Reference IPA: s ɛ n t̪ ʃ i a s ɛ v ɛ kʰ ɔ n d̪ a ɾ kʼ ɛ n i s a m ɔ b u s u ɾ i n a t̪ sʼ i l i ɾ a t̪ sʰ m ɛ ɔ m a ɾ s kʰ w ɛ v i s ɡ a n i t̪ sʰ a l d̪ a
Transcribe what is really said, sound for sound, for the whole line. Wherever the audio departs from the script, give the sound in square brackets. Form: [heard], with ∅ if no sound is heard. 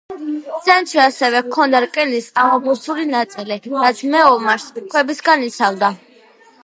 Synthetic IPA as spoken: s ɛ n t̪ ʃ i a s ɛ v ɛ kʰ ɔ n d̪ a ɾ kʼ ɛ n i s a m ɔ b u s u [l] i n a t̪ sʼ i l i ɾ a t̪ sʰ m ɛ ɔ m a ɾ s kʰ w ɛ [b] i s ɡ a n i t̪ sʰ a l d̪ a

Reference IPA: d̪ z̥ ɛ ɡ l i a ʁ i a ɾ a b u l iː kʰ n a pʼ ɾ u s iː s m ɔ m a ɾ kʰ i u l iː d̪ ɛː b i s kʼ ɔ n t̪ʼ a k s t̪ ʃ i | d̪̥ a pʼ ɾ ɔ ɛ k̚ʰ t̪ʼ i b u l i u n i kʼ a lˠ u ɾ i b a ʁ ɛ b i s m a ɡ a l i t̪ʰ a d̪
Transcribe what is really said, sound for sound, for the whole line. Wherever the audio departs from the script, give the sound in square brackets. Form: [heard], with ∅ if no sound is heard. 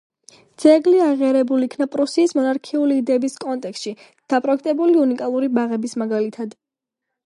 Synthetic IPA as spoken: d̪ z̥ ɛ ɡ l i a ʁ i a ɾ [ɛ] b u l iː kʰ n a pʼ ɾ u s iː s m ɔ [n] a ɾ kʰ i u l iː d̪ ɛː b i s kʼ ɔ n t̪ʼ [ɛ] k s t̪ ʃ i | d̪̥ a pʼ ɾ ɔ ɛ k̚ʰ t̪ʼ [ɛ] b u l i u n i kʼ a lˠ u ɾ i b a ʁ ɛ b i s m a ɡ a l i t̪ʰ a d̪

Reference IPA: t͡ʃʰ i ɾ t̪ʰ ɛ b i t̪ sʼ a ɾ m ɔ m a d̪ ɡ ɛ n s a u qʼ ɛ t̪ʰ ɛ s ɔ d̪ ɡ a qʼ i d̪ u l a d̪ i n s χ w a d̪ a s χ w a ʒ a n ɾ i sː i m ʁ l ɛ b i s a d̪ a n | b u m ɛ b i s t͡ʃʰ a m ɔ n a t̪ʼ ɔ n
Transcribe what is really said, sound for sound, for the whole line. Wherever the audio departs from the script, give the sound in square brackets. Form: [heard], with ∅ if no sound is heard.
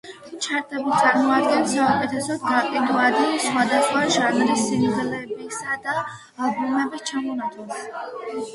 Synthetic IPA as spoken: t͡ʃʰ [a] ɾ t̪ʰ ɛ b i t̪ sʼ a ɾ m ɔ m a d̪ ɡ ɛ n s a u [kʼ] ɛ t̪ʰ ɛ s ɔ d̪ ɡ a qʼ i d̪ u [∅] a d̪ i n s χ w a d̪ a s χ w a ʒ a n ɾ i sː i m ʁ l ɛ b i s a d̪ a [∅] | b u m ɛ b i s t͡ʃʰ a m ɔ n a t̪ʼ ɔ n

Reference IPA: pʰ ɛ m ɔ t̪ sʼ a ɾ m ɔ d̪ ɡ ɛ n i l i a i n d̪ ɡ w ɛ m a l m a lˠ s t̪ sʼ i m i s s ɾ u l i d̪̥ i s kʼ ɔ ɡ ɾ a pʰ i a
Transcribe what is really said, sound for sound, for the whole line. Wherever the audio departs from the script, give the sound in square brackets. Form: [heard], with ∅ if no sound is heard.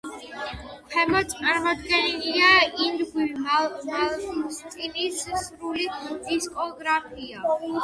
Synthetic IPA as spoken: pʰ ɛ m ɔ t̪ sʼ a ɾ m ɔ d̪ ɡ ɛ n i l i a i n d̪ ɡ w [i] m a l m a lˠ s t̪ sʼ i [n] i s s ɾ u l i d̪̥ i s kʼ ɔ ɡ ɾ a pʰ i a

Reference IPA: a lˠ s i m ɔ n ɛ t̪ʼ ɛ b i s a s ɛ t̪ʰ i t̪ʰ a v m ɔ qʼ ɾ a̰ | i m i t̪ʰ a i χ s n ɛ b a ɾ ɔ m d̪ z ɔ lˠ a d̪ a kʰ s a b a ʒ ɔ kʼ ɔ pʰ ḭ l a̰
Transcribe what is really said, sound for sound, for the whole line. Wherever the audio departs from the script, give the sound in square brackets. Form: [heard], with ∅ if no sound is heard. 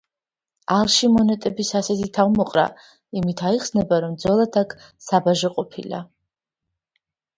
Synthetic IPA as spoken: a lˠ [ʃ] i m ɔ n ɛ t̪ʼ ɛ b i s a s ɛ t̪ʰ i t̪ʰ a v m ɔ qʼ ɾ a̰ | i m i t̪ʰ a i χ s n ɛ b a ɾ ɔ m d̪ z ɔ lˠ a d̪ a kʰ s a b a ʒ ɔ [qʼ] ɔ pʰ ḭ l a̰

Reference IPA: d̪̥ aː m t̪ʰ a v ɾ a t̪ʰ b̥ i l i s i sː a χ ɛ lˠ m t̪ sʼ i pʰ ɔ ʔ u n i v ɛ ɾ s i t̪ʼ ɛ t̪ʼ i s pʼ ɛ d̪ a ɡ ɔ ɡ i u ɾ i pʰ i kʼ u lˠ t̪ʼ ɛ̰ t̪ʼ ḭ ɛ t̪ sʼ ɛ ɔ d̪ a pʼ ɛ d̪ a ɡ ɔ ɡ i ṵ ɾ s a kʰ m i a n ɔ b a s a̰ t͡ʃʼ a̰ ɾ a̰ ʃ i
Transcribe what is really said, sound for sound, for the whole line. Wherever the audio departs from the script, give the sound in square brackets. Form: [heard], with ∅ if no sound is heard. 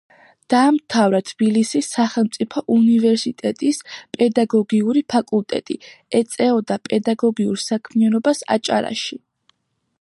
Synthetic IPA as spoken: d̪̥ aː m t̪ʰ a v ɾ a t̪ʰ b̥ i l i s i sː a χ ɛ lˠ m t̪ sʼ i pʰ ɔ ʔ u n i v ɛ ɾ s i t̪ʼ ɛ t̪ʼ i s pʼ ɛ d̪ a ɡ ɔ ɡ i u ɾ i pʰ [a] kʼ u lˠ t̪ʼ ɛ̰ t̪ʼ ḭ ɛ t̪ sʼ ɛ ɔ d̪ a pʼ ɛ d̪ a ɡ ɔ ɡ i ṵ ɾ s a kʰ m i a n ɔ b a s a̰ t͡ʃʼ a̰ ɾ a̰ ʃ i

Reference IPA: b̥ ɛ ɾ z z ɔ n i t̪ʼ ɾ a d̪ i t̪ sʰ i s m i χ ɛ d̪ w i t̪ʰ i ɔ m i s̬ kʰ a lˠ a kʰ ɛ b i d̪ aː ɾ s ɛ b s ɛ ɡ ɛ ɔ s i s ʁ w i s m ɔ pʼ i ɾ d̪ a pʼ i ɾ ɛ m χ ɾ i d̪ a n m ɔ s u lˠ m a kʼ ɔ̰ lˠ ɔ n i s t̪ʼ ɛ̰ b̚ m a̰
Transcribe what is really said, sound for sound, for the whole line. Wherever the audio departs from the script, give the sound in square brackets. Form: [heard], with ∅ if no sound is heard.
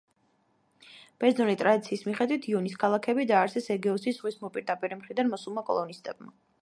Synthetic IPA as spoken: b̥ ɛ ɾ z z ɔ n i t̪ʼ ɾ a d̪ i t̪ sʰ [iː] s m i χ ɛ d̪ w i t̪ʰ i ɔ [n] i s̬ kʰ a lˠ a kʰ ɛ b i d̪ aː ɾ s ɛ [∅] s ɛ ɡ ɛ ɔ s i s ʁ w i s m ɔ pʼ i ɾ d̪ a pʼ i ɾ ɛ m χ ɾ i d̪ a n m ɔ s u lˠ m a kʼ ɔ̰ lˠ ɔ n i s t̪ʼ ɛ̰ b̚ m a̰

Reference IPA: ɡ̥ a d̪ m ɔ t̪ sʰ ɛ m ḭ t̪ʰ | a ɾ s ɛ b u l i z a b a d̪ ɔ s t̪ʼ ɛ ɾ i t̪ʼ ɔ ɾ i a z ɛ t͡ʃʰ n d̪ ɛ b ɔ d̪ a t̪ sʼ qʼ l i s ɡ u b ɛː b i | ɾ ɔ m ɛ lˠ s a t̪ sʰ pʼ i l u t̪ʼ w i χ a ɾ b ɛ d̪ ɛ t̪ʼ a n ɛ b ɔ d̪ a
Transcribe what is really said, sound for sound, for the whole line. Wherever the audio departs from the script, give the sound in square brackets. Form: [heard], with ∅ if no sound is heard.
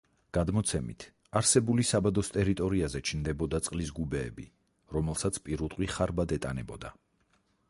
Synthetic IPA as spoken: ɡ̥ a d̪ m ɔ t̪ sʰ ɛ m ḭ t̪ʰ | a ɾ s ɛ b u l i [s] a b a d̪ ɔ s t̪ʼ ɛ ɾ i t̪ʼ ɔ ɾ i a z ɛ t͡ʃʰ n d̪ ɛ b ɔ d̪ a t̪ sʼ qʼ l i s ɡ u b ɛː b i | ɾ ɔ m ɛ lˠ s a t̪ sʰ pʼ i [ɾ] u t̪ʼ w i χ a ɾ b [a] d̪ ɛ t̪ʼ a n ɛ b ɔ d̪ a

